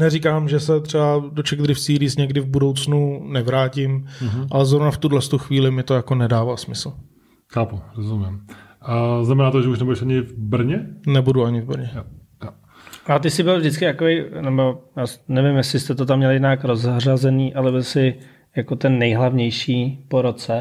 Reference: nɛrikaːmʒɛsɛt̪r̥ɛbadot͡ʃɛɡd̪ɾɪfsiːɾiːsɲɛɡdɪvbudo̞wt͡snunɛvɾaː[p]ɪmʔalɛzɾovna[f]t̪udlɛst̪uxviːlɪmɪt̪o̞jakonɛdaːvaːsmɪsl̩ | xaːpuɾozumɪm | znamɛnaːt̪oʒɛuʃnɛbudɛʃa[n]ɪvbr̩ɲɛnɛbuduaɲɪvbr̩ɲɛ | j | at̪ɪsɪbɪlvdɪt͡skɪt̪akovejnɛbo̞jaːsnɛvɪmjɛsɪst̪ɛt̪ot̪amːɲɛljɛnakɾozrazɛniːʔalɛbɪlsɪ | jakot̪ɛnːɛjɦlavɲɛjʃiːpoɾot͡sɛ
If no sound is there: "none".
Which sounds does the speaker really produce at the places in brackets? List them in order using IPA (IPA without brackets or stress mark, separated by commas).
c, f, ɲ